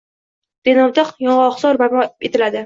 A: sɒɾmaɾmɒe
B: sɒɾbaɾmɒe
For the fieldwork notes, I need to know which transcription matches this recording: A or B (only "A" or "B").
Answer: B